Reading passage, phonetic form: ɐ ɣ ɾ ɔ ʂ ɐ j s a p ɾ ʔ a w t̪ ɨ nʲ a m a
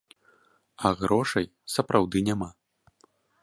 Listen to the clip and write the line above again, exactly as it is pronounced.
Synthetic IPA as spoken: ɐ ɣ ɾ ɔ ʂ ɐ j s ɐ p ɾ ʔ a w d̪ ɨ nʲ a m a